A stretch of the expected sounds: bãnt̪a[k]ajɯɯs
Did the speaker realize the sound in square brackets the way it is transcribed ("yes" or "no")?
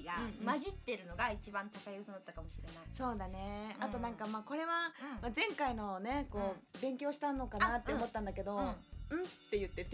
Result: yes